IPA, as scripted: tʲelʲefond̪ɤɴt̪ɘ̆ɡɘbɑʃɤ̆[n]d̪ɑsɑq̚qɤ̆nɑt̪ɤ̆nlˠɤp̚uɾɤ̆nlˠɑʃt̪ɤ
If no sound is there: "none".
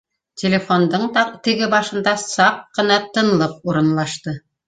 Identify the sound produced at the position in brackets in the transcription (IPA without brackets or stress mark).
n